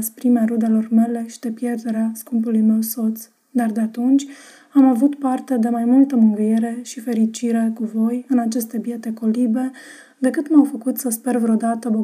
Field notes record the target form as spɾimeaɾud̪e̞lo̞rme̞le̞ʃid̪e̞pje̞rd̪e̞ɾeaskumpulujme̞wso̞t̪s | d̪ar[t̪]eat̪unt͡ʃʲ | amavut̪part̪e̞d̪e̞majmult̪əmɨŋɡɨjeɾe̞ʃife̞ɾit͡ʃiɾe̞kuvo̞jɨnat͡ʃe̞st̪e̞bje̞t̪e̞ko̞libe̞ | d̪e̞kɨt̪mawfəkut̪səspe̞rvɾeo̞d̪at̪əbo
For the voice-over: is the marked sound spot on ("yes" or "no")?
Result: no